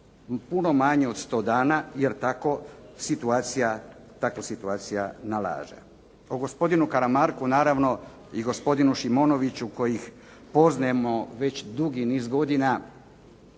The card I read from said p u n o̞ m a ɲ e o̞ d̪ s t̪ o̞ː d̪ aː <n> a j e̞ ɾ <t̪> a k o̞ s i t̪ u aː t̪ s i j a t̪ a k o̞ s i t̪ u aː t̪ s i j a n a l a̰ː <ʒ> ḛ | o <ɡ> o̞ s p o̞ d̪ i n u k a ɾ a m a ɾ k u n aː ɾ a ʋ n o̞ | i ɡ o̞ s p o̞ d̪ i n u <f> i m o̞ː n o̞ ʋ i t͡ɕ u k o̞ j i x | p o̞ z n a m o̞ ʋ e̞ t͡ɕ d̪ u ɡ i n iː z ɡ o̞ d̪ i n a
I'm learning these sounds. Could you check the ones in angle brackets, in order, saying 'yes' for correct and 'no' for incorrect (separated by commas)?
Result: yes, yes, yes, yes, no